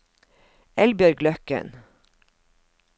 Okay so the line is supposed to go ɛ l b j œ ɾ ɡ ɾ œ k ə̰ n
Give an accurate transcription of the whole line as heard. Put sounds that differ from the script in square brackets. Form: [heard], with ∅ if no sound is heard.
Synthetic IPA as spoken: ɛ l b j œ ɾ ɡ [l] œ k ə̰ n